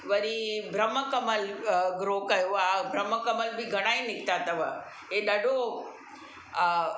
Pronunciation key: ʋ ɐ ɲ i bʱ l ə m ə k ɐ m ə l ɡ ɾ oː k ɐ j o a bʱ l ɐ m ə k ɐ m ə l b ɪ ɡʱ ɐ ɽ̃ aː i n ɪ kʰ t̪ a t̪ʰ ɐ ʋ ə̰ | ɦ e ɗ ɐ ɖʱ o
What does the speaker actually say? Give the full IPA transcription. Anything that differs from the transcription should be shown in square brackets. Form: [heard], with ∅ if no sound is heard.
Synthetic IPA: ʋ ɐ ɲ i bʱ [ɾ] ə m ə k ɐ m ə l ɡ ɾ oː k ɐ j o a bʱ [ɾ] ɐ m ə k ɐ m ə l b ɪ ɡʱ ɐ ɽ̃ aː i n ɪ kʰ t̪ a [t̪] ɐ ʋ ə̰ | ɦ e ɗ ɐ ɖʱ o